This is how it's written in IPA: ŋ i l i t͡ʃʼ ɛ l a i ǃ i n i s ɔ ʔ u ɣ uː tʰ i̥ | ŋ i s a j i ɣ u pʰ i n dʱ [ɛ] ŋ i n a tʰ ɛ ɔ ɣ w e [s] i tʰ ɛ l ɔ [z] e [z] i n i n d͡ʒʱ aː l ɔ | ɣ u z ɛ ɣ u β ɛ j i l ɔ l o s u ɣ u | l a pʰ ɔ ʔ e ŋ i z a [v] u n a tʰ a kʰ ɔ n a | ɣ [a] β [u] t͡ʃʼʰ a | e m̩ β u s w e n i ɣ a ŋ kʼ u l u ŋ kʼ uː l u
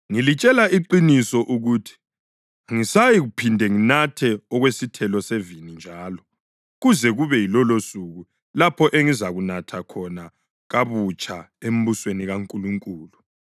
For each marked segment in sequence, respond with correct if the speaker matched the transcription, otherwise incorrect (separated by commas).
correct, correct, incorrect, incorrect, incorrect, correct, correct